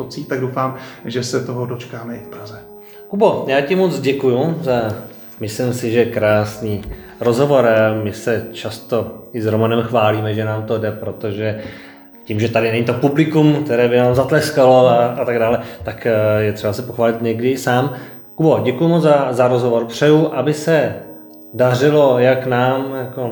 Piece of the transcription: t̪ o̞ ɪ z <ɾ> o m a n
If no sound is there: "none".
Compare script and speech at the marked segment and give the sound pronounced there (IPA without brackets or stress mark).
ɾ